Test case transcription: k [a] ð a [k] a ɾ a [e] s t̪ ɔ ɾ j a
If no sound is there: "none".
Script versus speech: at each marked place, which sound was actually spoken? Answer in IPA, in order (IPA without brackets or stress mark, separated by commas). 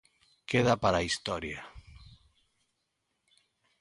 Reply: e, p, i